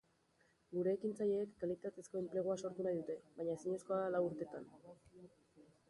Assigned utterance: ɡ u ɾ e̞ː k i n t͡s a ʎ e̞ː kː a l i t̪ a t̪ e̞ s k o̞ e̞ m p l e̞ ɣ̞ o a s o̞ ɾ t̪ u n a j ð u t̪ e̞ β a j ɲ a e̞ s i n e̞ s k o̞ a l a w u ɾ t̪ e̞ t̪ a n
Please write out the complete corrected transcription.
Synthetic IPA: ɡ u ɾ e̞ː k i n t͡s a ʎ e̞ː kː a l i t̪ a t̪ e̞ s k o̞ e̞ m p l e̞ ɣ̞ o a s o̞ ɾ t̪ u n a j ð u t̪ e̞ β a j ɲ a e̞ s i ɲ e̞ s k o̞ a l a w u ɾ t̪ e̞ t̪ a n